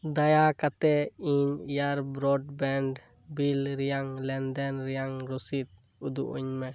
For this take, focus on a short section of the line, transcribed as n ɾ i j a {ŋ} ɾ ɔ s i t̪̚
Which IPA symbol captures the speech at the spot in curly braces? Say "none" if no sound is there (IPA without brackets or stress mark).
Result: ŋ